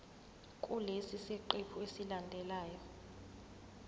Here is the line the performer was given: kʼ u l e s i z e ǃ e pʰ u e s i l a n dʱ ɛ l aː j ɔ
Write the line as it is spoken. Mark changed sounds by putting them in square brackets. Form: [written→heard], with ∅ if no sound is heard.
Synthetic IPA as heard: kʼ u l e s i [z→s] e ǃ e pʰ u e s i l a n dʱ ɛ l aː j ɔ